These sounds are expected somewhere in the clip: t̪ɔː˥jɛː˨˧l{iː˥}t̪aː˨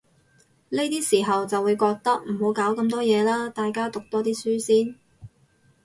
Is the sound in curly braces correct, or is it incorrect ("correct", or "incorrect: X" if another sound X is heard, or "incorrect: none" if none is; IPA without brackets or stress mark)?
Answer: incorrect: aː˥